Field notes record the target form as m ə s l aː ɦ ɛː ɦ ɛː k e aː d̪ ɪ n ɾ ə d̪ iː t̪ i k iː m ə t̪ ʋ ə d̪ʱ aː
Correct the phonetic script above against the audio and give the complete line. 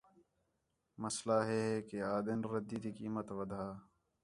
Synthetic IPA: m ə s l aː ɦ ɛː ɦ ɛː k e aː d̪ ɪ n ɾ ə d̪ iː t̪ i k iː m ə t̪ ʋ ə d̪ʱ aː